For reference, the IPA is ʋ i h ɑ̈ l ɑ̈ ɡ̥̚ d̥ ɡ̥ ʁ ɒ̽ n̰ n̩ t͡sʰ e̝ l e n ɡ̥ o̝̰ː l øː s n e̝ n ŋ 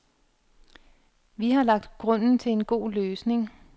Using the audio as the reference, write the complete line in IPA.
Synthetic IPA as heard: ʋ i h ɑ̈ l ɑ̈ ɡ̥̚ d̥ ɡ̥ ʁ ɔ̽ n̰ n̩ t͡sʰ e̝ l e n ɡ̥ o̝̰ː l øː s n e̝ ŋ